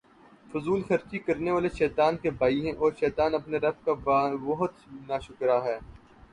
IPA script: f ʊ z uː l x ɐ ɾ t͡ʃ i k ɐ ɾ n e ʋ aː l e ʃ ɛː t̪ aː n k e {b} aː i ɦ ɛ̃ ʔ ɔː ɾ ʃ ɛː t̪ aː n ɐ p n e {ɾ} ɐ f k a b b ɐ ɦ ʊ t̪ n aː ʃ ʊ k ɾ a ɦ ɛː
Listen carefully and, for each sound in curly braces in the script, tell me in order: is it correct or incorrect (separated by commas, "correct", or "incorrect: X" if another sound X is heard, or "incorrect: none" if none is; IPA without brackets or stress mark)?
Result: correct, correct